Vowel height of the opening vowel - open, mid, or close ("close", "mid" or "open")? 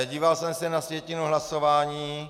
close